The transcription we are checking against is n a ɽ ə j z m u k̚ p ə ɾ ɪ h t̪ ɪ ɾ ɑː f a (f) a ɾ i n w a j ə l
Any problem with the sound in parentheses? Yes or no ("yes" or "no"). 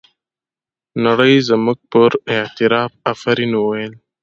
no